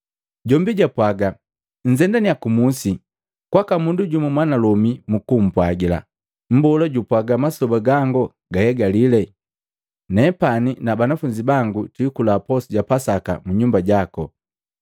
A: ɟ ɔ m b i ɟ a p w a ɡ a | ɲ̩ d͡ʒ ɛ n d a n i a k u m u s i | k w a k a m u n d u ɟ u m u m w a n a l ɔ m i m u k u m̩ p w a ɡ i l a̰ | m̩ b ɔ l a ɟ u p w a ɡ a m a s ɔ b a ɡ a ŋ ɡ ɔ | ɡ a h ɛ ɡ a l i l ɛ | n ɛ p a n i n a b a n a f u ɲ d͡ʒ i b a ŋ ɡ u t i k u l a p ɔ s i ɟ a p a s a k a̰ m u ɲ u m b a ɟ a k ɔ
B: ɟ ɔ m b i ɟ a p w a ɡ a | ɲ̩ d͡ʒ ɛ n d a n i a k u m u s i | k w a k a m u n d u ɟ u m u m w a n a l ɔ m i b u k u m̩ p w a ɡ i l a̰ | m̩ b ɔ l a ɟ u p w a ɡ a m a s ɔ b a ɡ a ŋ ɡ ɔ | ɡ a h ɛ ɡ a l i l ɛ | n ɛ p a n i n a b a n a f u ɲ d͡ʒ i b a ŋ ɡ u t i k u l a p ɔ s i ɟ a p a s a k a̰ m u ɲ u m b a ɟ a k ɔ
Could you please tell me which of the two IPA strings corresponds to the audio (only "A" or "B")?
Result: A